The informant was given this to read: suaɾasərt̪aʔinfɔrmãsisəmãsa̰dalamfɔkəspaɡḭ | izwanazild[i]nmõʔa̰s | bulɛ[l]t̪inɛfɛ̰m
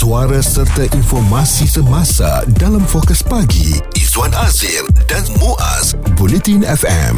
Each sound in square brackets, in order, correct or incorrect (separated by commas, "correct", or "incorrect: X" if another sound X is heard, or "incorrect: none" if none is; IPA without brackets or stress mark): incorrect: a, incorrect: none